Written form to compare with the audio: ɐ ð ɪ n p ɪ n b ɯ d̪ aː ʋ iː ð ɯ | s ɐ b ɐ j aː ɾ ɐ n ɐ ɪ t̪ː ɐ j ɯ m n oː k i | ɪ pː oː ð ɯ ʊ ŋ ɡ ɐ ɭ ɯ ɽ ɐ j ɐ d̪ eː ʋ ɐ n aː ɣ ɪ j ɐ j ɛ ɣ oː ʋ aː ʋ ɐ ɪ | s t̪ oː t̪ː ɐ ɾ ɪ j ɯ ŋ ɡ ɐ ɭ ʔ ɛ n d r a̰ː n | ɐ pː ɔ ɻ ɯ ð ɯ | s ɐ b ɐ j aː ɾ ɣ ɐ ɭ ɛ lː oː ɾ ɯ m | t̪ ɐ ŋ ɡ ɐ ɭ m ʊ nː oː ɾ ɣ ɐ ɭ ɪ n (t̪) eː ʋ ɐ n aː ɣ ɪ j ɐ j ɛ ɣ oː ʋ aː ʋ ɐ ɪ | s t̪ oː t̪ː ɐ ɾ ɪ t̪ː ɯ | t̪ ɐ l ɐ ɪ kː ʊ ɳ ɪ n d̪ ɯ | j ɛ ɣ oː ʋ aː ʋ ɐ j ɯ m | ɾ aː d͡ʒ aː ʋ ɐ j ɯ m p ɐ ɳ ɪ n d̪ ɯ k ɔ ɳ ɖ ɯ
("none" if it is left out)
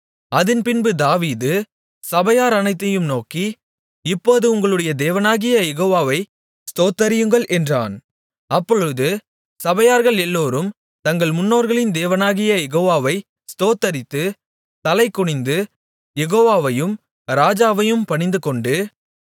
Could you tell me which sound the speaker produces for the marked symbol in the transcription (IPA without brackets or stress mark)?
d̪